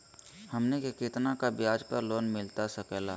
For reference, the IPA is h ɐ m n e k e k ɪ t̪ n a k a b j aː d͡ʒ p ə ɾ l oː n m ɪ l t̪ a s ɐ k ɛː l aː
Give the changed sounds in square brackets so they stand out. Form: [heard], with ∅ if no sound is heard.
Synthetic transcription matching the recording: h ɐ m n e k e k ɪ t̪ n a k a b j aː d͡ʒ p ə ɾ l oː n m ɪ l t̪ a s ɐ k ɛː l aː